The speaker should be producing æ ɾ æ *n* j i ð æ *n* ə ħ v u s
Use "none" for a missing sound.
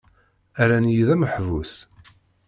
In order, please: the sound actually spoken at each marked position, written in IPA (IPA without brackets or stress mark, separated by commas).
n, m